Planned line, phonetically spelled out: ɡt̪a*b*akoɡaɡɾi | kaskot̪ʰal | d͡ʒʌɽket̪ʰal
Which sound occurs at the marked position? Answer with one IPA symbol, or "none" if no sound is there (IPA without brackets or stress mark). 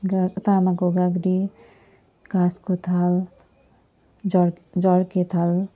m